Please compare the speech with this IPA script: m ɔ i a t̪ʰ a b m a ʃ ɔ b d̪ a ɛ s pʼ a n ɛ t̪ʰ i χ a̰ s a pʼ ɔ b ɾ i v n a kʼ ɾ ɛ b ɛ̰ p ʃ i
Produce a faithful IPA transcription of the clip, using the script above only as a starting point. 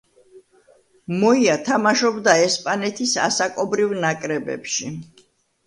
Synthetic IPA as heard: m ɔ i a t̪ʰ a m a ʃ ɔ b d̪ a ɛ s pʼ a n ɛ t̪ʰ i s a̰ s a kʼ ɔ b ɾ i v n a kʼ ɾ ɛ b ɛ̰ p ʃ i